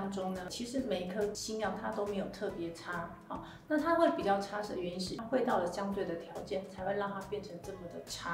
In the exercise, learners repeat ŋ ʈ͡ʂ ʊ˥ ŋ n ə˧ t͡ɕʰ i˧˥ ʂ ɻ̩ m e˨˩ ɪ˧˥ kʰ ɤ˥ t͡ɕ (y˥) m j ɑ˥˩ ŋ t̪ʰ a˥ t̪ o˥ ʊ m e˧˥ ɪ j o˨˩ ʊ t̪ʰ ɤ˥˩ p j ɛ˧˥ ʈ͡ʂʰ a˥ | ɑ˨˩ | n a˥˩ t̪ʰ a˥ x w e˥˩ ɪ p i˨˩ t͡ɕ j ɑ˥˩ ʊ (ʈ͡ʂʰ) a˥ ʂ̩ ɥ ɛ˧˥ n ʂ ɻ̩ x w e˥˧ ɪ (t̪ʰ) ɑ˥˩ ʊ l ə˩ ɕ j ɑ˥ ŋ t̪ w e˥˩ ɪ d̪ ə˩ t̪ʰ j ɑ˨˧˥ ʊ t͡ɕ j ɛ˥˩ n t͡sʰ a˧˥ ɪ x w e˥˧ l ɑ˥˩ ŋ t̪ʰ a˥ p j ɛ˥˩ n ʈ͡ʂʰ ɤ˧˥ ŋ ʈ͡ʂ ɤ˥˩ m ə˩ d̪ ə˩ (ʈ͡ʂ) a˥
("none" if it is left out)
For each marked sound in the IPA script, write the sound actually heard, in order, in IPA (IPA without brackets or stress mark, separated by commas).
i˥, ʈ͡ʂʰ, t̪, ʈ͡ʂʰ